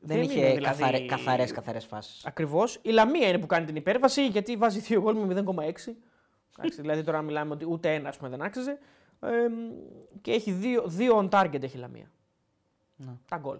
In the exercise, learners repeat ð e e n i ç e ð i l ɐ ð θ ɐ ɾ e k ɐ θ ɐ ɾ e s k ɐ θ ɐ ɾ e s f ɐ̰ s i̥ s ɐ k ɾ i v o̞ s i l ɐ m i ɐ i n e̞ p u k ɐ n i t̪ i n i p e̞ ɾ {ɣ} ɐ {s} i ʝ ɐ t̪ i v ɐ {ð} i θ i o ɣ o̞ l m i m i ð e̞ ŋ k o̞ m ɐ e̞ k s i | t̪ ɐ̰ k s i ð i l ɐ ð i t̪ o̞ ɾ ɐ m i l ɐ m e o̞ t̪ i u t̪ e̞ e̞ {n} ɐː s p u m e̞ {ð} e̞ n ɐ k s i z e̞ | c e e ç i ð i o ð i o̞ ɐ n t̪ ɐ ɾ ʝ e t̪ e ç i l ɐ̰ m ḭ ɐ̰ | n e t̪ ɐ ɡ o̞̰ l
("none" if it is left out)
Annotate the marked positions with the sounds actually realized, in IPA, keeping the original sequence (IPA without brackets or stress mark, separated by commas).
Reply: v, s, z, n, ð